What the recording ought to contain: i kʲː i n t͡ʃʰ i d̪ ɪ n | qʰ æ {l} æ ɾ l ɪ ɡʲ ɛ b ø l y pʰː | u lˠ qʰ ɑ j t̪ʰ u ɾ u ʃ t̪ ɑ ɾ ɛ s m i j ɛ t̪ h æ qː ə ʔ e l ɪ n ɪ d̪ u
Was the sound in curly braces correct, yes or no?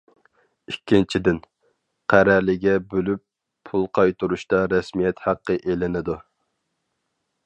no